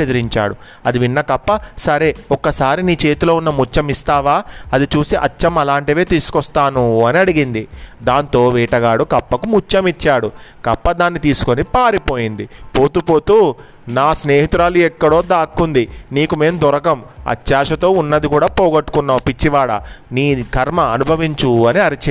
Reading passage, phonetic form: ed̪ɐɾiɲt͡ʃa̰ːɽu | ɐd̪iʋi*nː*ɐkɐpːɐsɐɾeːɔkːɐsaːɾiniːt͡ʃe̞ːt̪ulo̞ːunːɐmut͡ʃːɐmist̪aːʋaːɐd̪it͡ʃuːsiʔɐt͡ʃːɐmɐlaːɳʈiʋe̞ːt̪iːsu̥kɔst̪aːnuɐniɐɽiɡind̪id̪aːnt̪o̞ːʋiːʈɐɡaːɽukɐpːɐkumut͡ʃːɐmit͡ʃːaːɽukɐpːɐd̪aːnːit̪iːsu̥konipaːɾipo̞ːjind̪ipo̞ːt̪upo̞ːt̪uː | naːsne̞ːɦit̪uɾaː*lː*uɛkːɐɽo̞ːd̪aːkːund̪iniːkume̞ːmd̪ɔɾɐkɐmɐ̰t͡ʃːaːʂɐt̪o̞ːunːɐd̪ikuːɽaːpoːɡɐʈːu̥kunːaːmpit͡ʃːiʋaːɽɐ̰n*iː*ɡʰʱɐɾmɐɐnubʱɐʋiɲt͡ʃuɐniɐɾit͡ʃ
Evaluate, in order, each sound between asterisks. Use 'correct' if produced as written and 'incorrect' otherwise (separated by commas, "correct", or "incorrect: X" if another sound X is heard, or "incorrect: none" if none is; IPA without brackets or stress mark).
correct, incorrect: l, correct